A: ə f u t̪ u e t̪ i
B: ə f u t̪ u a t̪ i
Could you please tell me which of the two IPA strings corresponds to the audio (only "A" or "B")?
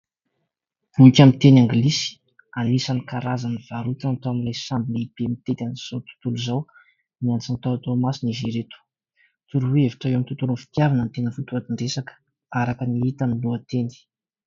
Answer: B